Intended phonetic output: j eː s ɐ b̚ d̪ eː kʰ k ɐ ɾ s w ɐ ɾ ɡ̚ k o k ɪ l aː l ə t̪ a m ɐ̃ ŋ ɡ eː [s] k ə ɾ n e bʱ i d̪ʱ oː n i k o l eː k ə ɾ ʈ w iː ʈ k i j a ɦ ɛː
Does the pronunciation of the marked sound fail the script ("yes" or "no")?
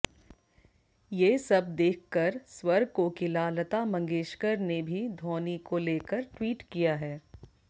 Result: yes